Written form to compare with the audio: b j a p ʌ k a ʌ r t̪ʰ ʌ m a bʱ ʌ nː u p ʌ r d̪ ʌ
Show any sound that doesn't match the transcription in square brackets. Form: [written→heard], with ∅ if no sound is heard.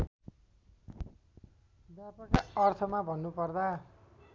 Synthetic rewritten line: b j a p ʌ k a ʌ r t̪ʰ ʌ m a bʱ ʌ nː u p ʌ r d̪ [ʌ→a]